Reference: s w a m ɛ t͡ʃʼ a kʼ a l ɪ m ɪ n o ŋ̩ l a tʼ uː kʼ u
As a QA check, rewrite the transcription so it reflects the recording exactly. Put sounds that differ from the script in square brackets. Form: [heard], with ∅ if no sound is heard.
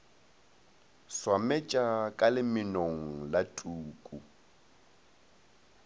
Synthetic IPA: s w a m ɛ t͡ʃʼ a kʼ a l ɪ m ɪ n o ŋ̩ l a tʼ uː kʼ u